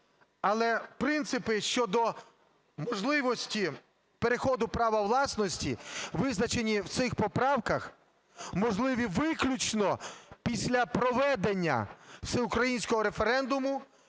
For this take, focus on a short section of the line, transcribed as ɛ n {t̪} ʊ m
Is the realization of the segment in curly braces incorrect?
yes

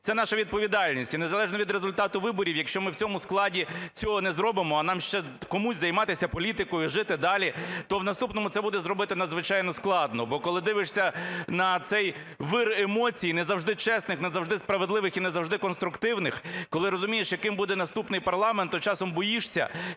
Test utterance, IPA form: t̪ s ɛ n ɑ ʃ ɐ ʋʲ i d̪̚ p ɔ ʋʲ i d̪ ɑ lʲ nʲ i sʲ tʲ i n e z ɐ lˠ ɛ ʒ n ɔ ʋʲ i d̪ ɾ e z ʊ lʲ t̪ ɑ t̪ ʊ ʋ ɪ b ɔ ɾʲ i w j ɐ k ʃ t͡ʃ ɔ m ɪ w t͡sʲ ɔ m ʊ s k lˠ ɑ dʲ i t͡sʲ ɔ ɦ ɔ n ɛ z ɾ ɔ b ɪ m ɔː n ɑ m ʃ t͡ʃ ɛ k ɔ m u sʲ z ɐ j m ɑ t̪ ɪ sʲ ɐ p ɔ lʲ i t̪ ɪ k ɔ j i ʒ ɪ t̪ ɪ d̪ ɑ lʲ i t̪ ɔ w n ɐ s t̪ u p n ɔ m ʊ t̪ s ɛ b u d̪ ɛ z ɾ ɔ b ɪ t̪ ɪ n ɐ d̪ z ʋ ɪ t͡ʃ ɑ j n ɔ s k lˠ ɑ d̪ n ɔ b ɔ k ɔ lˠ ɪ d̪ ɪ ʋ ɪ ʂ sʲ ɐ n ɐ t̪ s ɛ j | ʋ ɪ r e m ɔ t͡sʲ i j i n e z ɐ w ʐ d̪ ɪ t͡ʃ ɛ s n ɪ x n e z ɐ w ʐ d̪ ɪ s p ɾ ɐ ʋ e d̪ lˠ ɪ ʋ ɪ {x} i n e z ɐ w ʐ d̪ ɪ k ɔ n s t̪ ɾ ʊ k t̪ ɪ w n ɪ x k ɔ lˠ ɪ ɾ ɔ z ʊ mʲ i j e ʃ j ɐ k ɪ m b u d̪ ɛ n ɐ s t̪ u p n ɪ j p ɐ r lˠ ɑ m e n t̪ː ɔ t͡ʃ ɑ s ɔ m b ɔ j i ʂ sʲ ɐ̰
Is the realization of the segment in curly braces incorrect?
no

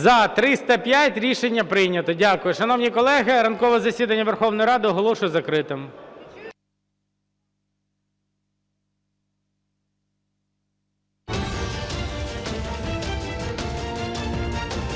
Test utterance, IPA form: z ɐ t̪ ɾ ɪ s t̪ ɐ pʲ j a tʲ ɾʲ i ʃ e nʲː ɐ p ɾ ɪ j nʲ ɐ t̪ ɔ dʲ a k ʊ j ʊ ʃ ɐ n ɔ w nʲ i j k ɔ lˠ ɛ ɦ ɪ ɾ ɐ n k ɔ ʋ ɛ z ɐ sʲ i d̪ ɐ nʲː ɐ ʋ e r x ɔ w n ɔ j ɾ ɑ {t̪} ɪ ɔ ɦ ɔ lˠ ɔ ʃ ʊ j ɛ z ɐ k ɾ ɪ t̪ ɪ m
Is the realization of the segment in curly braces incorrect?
yes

